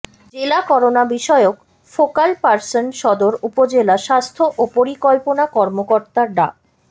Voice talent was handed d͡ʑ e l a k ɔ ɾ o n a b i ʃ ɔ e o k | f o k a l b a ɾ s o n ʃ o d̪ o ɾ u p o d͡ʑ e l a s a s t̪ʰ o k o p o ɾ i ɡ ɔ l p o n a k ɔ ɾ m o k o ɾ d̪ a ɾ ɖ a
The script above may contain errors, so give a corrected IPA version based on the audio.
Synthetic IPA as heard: d͡ʑ e l a k ɔ ɾ o n a b i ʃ ɔ e o k | f o k a l p a ɾ s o n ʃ ɔ d̪ o ɾ u p o d͡ʑ e l a ʃ a s t̪ʰ o ʔ o p o ɾ i k ɔ l p o n a k ɔ ɾ m o k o ɾ t̪ a ɾ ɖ a